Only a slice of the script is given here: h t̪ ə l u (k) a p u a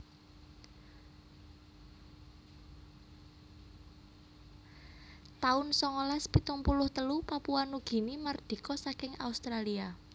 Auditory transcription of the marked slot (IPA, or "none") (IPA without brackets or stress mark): p